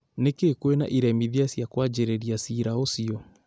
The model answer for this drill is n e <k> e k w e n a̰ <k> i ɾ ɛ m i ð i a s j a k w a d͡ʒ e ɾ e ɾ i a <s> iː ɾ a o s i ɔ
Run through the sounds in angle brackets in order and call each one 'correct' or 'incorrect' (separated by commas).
correct, incorrect, correct